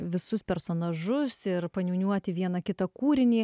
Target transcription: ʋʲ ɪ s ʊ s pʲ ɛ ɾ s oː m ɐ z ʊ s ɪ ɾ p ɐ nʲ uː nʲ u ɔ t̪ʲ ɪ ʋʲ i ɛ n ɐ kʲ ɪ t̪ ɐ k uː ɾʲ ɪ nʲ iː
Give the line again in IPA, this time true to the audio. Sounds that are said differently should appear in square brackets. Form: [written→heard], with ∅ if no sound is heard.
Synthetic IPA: ʋʲ ɪ s ʊ s pʲ ɛ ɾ s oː [m→n] ɐ [z→ʒ] ʊ s ɪ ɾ p ɐ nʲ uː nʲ u ɔ t̪ʲ ɪ ʋʲ i ɛ n ɐ kʲ ɪ t̪ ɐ k uː ɾʲ ɪ nʲ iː

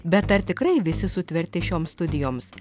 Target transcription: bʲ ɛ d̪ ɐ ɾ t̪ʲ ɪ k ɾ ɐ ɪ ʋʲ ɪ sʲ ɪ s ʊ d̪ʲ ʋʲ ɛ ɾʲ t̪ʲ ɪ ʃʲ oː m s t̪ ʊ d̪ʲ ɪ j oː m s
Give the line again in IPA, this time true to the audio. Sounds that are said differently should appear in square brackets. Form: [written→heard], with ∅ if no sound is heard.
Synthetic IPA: bʲ ɛ [d̪→t̪] ɐ ɾ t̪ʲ ɪ k ɾ ɐ ɪ ʋʲ ɪ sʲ ɪ s ʊ [d̪ʲ→t̪ʲ] ʋʲ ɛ ɾʲ t̪ʲ ɪ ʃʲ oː m s t̪ ʊ d̪ʲ ɪ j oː m s

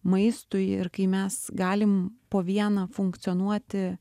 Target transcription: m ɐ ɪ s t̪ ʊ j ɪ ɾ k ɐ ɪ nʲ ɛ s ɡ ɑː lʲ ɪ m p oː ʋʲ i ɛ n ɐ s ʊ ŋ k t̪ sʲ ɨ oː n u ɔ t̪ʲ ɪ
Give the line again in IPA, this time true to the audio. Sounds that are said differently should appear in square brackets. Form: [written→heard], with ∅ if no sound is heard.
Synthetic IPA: m ɐ ɪ s t̪ ʊ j ɪ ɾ k ɐ ɪ [nʲ→mʲ] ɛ s ɡ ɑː lʲ ɪ m p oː ʋʲ i ɛ n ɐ [s→f] ʊ ŋ k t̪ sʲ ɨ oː n u ɔ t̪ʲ ɪ

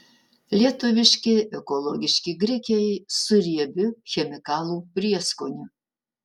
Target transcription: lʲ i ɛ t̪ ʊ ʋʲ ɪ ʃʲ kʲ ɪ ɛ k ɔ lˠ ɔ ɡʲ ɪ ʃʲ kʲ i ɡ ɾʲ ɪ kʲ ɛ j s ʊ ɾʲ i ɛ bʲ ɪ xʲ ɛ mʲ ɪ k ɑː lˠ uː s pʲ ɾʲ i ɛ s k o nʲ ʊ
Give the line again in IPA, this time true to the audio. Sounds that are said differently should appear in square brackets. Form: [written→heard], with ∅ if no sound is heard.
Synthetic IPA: lʲ i ɛ t̪ ʊ ʋʲ ɪ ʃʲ kʲ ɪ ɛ k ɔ lˠ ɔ ɡʲ ɪ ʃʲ kʲ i ɡ ɾʲ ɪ kʲ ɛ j s ʊ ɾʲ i ɛ bʲ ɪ xʲ ɛ mʲ ɪ k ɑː lˠ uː [s→∅] pʲ ɾʲ i ɛ s k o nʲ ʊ

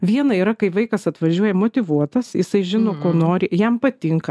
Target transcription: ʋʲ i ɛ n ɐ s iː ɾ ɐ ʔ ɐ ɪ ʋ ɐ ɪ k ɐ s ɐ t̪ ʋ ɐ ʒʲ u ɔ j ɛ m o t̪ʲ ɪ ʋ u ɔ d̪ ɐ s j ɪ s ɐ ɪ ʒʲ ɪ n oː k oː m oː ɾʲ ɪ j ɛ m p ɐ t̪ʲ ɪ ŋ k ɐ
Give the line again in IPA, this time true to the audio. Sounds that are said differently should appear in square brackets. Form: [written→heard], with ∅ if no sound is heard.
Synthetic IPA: ʋʲ i ɛ n ɐ [s→∅] iː ɾ ɐ [ʔ→k] ɐ ɪ ʋ ɐ ɪ k ɐ s ɐ t̪ ʋ ɐ ʒʲ u ɔ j ɛ m o t̪ʲ ɪ ʋ u ɔ [d̪→t̪] ɐ s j ɪ s ɐ ɪ ʒʲ ɪ n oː k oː [m→n] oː ɾʲ ɪ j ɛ m p ɐ t̪ʲ ɪ ŋ k ɐ

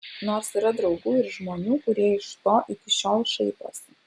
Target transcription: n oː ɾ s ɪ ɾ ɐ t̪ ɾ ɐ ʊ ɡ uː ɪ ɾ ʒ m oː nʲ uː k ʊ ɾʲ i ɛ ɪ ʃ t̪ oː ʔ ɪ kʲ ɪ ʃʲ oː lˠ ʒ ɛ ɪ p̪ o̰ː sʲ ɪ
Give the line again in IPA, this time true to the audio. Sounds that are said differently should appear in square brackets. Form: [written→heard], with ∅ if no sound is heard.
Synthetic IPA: n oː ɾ s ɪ ɾ ɐ [t̪→d̪] ɾ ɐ ʊ ɡ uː ɪ ɾ ʒ m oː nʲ uː k ʊ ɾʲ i ɛ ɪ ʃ t̪ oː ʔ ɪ kʲ ɪ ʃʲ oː lˠ [ʒ→ʃ] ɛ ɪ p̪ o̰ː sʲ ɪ

